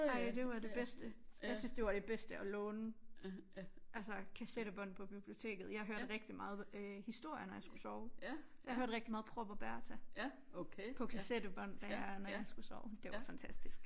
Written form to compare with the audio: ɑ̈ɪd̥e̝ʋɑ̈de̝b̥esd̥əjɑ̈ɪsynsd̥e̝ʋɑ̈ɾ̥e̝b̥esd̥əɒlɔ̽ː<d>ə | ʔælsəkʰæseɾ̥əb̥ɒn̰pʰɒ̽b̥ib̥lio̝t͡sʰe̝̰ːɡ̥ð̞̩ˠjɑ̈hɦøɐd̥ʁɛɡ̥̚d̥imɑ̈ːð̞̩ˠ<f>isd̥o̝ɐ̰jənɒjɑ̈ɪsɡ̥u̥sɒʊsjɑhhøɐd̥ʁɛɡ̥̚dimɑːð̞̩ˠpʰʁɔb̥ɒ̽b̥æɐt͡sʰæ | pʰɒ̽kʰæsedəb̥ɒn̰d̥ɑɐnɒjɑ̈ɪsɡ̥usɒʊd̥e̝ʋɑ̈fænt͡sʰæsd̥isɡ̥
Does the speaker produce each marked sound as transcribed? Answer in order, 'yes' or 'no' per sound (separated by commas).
no, no